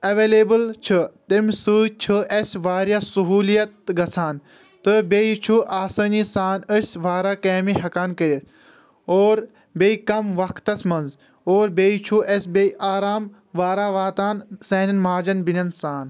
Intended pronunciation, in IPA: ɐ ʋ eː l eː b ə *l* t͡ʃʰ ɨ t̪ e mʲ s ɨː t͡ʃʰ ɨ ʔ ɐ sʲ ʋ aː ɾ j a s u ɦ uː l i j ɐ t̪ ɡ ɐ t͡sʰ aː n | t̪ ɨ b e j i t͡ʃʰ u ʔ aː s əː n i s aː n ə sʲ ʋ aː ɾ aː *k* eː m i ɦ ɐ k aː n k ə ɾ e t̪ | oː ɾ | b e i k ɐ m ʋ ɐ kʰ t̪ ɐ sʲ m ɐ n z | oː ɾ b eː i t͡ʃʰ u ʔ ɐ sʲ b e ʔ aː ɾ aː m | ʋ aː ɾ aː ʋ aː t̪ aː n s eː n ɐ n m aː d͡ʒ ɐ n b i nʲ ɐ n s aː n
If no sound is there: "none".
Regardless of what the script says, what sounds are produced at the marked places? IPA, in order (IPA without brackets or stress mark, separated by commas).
l, k